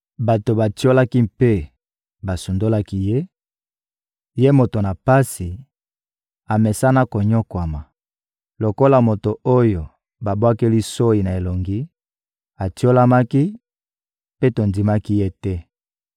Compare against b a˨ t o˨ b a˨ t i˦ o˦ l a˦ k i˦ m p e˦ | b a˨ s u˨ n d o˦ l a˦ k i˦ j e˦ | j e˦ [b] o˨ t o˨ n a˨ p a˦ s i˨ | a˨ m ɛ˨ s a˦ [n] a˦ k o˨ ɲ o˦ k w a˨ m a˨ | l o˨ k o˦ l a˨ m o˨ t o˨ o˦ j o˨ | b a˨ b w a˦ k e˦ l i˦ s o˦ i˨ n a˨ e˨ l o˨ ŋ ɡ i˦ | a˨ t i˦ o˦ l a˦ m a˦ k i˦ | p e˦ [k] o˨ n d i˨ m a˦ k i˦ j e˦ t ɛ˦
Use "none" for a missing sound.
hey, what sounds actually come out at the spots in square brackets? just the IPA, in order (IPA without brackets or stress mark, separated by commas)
m, n, t